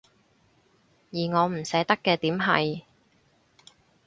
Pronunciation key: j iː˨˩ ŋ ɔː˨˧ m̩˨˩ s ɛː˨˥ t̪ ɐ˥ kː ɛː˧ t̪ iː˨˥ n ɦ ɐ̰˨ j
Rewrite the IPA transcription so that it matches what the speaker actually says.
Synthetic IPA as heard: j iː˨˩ ŋ ɔː˨˧ m̩˨˩ s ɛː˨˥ t̪ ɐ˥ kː ɛː˧ t̪ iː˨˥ m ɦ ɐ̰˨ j

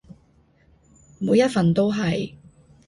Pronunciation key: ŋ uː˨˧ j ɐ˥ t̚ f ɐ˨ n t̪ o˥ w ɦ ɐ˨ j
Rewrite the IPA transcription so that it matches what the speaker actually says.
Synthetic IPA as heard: m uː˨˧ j ɐ˥ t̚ f ɐ˨ n t̪ o˥ w ɦ ɐ˨ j

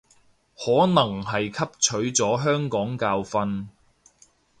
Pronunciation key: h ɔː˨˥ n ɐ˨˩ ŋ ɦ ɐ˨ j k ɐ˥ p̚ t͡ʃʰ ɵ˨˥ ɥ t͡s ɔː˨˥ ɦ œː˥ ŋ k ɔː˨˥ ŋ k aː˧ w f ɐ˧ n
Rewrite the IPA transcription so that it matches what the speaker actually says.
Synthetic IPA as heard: h ɔː˨˥ n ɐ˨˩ ŋ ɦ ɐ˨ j kʰ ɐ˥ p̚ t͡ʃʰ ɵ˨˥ ɥ t͡s ɔː˨˥ ɦ œː˥ ŋ k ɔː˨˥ ŋ k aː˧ w f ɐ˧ n

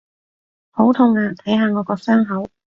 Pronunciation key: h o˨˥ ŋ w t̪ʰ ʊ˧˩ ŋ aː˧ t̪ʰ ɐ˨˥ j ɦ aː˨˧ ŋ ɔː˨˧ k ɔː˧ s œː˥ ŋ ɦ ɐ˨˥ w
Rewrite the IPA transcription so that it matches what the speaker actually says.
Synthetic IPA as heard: h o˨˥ w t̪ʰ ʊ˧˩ ŋ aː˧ t̪ʰ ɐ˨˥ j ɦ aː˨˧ ŋ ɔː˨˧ k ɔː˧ s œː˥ ŋ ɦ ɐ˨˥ w

